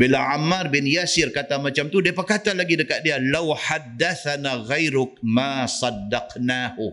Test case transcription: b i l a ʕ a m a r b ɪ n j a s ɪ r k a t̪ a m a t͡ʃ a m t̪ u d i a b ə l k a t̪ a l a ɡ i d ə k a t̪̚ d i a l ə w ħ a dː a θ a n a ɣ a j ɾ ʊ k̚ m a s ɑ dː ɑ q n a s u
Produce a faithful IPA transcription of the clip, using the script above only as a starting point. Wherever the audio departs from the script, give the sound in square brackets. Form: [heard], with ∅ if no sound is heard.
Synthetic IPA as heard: b i l a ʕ a m a r b ɪ n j a s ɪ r k a t̪ a m a t͡ʃ a m t̪ u d i a [p] ə [r] k a t̪ a l a ɡ i d ə k a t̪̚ d i a l [a] w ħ a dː a θ a n a ɣ a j ɾ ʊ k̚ m a s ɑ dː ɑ q n a [h] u